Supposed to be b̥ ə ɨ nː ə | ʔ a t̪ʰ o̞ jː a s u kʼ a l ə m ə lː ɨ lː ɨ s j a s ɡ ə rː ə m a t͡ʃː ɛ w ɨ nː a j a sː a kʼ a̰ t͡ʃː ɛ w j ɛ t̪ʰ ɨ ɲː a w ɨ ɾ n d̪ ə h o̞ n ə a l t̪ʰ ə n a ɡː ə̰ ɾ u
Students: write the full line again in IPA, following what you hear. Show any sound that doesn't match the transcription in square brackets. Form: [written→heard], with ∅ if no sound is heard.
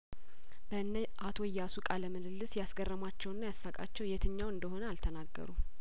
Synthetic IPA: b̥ ə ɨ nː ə | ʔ a t̪ʰ o̞ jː a s u kʼ a l ə m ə [lː→l] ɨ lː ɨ s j a s ɡ ə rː ə m a t͡ʃː ɛ w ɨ nː a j a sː a kʼ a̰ t͡ʃː ɛ w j ɛ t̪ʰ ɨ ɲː a w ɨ [ɾ→∅] n d̪ ə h o̞ n ə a l t̪ʰ ə n a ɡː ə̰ ɾ u